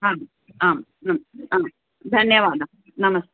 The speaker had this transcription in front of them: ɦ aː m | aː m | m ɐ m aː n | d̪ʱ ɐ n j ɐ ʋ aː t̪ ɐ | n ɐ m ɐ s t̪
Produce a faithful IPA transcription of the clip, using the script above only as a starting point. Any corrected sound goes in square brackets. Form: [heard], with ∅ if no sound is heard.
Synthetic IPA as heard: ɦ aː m | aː m | [n] ɐ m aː [m] | d̪ʱ ɐ n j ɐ ʋ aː [d̪] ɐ | n ɐ m ɐ s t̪